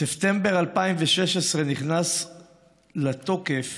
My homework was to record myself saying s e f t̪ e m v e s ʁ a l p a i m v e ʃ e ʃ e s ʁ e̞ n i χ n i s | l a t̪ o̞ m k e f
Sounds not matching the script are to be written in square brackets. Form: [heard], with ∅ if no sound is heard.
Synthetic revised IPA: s e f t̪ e m [b] e [∅] ʁ a l p a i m v e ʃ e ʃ e s ʁ e̞ n i χ n [a] s | l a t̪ o̞ [∅] k e f